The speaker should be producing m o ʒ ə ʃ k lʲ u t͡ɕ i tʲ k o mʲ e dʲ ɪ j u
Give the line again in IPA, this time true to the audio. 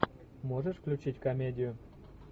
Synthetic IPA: m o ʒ ə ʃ k lʲ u t͡ɕ i tʲ k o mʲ e dʲ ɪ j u